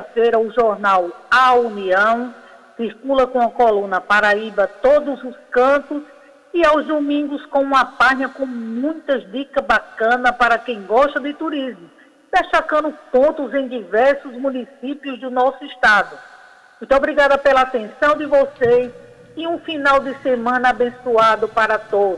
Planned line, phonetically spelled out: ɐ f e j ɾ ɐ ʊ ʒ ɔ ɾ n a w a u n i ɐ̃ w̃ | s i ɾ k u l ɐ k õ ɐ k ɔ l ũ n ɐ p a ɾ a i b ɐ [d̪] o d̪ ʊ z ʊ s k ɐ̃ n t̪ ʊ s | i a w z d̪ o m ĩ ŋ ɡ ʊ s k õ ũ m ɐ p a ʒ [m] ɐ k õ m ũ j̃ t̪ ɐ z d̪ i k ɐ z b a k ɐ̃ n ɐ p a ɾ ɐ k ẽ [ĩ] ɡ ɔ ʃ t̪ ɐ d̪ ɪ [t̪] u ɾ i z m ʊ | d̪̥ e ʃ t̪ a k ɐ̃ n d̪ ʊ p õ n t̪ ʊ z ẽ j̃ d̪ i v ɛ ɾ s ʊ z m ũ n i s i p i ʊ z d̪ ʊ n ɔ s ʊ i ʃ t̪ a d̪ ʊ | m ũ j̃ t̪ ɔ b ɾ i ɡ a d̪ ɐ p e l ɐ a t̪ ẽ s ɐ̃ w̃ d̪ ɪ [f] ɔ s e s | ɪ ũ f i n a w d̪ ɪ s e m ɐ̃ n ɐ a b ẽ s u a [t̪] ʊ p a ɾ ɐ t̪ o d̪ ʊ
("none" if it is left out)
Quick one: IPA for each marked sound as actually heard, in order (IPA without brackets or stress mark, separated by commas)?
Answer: t̪, ɲ, j̃, t̪, v, d̪